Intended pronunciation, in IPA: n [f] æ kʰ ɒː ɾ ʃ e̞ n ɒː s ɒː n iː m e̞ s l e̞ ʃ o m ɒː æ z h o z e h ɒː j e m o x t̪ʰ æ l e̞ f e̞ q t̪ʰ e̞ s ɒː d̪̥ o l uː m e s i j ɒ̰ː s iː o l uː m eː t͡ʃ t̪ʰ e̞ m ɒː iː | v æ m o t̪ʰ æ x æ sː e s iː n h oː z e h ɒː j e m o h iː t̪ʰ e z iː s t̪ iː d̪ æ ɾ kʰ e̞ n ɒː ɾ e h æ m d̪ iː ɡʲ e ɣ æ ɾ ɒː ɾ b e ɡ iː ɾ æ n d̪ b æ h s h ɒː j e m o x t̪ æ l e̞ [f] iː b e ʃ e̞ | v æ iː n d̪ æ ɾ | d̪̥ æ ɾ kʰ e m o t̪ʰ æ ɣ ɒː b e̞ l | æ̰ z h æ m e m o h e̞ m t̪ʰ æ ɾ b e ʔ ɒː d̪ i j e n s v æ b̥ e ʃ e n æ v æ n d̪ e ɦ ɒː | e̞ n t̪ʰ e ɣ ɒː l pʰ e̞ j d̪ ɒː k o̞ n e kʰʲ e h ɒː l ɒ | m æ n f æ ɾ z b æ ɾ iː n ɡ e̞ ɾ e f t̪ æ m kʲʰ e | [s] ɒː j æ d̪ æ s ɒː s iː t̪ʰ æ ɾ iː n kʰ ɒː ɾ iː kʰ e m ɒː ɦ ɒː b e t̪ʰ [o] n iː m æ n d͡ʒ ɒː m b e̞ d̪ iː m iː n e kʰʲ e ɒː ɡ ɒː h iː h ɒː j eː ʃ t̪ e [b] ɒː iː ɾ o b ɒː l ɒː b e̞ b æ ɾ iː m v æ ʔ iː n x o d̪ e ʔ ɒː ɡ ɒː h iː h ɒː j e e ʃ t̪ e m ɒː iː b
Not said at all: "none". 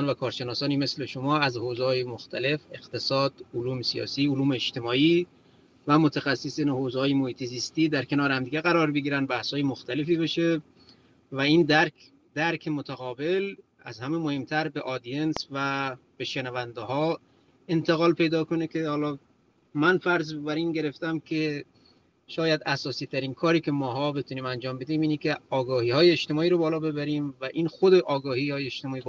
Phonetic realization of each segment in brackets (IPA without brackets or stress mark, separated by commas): v, f, ʃ, u, m